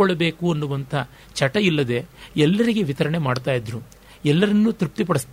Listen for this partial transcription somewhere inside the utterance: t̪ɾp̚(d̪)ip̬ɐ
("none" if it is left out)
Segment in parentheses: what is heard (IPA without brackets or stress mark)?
t̪